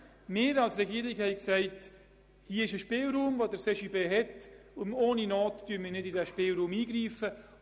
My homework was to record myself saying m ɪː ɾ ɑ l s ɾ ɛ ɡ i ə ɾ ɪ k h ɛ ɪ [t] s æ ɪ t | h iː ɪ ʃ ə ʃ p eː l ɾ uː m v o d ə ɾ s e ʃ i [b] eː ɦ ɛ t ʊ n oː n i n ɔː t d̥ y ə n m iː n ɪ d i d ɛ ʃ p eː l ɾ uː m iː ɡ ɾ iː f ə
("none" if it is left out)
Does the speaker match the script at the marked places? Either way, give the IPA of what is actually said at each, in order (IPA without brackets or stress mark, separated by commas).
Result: k, b